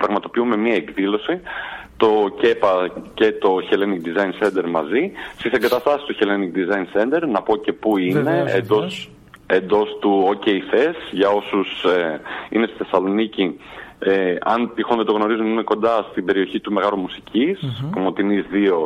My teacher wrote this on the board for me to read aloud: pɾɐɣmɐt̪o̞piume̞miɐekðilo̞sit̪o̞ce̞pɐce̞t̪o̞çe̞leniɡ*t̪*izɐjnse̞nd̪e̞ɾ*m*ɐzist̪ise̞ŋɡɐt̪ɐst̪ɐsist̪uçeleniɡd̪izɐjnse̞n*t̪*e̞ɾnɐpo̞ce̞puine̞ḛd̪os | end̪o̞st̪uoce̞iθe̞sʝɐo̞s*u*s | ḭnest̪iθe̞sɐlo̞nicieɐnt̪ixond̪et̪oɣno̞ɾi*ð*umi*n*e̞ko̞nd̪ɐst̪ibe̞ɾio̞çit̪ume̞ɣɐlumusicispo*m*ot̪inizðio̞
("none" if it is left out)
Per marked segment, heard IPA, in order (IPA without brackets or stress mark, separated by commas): d̪, m, d̪, u, z, m, m